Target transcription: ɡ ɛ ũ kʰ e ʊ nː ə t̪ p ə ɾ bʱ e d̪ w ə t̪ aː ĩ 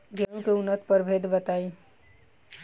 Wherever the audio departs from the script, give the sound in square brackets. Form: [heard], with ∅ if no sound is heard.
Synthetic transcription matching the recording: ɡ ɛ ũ [k] e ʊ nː ə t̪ p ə ɾ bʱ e d̪ [b] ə t̪ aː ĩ